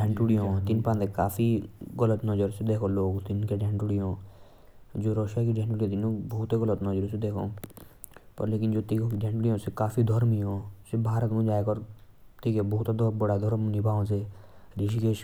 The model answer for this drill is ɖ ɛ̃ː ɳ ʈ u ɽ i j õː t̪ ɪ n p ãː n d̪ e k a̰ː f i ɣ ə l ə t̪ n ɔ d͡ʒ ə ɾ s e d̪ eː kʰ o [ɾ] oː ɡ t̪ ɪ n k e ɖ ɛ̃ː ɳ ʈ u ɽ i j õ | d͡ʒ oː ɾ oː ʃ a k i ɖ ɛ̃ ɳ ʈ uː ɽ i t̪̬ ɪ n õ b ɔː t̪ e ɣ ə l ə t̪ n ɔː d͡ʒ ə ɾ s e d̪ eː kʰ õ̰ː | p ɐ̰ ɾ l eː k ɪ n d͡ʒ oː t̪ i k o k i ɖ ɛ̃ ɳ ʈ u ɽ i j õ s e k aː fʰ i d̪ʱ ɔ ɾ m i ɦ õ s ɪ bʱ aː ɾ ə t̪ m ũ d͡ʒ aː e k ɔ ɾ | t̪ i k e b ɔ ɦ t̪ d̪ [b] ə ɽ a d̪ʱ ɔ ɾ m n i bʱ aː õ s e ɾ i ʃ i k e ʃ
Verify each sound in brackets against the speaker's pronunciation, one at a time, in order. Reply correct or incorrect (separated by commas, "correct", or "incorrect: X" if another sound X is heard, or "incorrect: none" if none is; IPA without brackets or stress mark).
incorrect: l, correct